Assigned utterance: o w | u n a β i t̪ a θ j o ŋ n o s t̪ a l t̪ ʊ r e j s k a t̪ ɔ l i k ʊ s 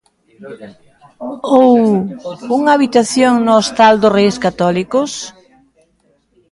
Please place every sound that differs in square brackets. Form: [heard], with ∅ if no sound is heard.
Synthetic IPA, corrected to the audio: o w | u [ŋ] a β i t̪ a θ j o ŋ n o s t̪ a l [d̪] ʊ r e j s k a t̪ ɔ l i k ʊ s